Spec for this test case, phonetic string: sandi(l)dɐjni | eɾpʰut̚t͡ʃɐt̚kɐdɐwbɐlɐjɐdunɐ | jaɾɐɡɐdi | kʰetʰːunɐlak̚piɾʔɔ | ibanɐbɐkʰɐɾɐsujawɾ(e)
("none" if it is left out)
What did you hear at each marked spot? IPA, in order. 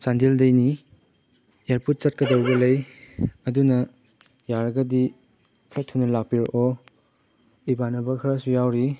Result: l, i

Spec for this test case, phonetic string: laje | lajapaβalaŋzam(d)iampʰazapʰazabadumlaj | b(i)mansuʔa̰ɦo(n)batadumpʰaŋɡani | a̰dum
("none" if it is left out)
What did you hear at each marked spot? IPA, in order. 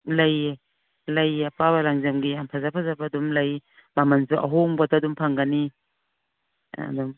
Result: ɡ, a, ŋ

